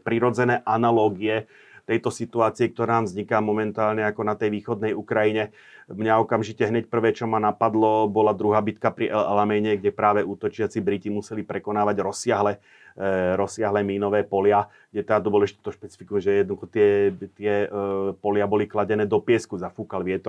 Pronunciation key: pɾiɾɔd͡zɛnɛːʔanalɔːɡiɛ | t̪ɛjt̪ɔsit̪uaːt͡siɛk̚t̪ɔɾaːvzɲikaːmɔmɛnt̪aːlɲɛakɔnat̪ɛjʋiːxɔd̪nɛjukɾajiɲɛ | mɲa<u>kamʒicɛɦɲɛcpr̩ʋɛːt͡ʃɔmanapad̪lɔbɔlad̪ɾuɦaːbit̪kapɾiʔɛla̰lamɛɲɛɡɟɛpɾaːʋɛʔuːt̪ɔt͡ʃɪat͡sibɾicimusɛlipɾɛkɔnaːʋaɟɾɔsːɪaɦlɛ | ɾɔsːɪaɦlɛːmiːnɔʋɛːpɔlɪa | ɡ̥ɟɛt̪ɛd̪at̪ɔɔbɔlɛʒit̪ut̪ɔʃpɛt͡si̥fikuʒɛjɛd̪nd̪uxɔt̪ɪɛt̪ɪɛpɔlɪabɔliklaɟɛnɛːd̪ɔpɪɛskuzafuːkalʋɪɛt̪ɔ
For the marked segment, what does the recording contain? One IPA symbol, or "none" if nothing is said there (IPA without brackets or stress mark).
ɔ